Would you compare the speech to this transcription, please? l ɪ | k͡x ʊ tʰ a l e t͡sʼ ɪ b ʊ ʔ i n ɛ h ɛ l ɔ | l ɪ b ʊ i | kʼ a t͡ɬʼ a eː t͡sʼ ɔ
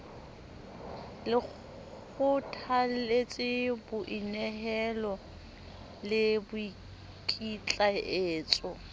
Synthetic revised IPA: l ɪ | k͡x ʊ tʰ a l e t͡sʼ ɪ b ʊ ʔ i n ɛ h ɛ l ɔ | l ɪ b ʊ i | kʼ i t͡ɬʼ a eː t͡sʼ ɔ